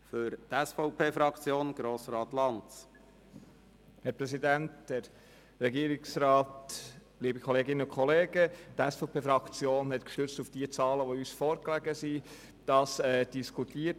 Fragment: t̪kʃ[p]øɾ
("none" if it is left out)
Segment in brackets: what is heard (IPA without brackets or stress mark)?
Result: t